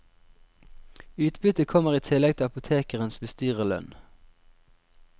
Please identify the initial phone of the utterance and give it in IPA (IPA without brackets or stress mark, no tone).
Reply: ʉː